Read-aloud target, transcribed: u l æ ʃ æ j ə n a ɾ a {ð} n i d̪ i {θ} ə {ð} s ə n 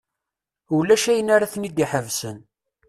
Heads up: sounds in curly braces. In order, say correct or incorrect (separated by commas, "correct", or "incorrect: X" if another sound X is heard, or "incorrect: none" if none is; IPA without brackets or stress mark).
incorrect: θ, incorrect: ħ, incorrect: v